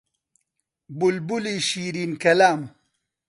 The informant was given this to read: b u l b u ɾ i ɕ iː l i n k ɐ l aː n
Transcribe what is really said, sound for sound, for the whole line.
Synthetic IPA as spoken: b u l b u l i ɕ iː ɾ i n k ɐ l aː m